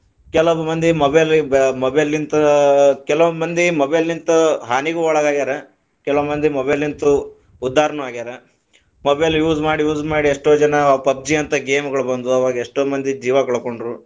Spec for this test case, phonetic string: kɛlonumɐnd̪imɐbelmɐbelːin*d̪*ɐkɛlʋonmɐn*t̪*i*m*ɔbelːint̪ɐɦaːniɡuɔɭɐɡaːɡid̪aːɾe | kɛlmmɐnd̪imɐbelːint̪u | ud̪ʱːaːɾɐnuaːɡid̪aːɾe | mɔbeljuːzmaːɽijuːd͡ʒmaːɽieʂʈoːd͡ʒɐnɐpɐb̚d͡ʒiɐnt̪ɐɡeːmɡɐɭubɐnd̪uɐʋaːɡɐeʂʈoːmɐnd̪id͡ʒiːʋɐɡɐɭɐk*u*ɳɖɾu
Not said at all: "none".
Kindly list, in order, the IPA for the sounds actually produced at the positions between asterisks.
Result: t̪, d̪, m, o

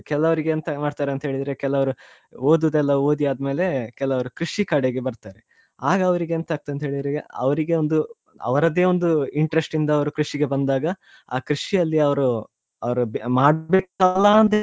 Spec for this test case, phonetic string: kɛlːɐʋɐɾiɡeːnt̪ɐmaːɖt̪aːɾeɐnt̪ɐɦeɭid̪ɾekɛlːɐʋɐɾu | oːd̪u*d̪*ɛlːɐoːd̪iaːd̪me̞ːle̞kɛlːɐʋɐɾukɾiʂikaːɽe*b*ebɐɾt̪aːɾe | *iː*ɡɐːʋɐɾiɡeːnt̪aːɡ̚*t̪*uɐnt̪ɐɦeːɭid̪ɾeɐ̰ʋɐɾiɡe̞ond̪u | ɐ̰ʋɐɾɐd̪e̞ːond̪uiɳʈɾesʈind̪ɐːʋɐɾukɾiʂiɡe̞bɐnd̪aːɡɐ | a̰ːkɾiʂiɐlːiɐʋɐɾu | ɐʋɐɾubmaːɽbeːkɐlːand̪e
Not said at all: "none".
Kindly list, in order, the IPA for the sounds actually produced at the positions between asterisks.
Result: d̪, ɡ, aː, t̪

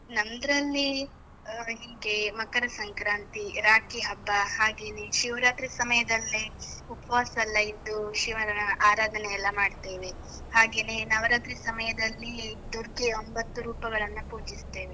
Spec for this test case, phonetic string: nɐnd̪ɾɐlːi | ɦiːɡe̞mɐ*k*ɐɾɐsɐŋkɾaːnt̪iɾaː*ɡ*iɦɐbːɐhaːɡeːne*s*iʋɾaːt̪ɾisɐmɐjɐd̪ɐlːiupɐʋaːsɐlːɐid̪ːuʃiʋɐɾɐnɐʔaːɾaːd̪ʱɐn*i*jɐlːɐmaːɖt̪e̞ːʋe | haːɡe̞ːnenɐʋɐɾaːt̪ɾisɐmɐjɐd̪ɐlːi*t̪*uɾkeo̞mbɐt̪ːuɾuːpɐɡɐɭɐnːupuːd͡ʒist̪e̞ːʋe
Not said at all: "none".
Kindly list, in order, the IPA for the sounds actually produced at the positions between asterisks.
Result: k, k, ʃ, ɛ, d̪

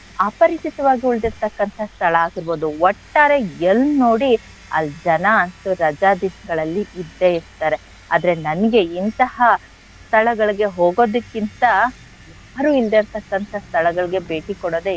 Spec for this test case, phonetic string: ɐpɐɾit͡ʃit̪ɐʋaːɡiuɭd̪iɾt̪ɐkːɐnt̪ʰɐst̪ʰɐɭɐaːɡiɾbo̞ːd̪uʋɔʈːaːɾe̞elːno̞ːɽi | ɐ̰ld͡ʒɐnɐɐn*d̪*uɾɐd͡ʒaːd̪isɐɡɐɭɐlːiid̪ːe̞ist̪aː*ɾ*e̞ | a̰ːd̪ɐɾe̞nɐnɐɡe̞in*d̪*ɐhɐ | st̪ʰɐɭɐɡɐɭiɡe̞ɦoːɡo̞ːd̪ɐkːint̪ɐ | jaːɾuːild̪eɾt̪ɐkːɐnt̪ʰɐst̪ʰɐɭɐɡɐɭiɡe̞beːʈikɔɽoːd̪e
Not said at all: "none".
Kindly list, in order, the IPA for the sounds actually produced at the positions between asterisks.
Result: t̪, ɾ, t̪

